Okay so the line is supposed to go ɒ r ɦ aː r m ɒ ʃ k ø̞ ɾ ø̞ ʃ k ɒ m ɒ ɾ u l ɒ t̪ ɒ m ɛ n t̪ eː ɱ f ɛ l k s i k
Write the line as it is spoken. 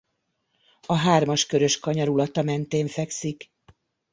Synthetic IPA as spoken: ɒ ɦ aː r m ɒ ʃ k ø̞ ɾ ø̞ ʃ k ɒ ɲ ɒ ɾ u l ɒ t̪ ɒ m ɛ n t̪ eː ɱ f ɛ k s i k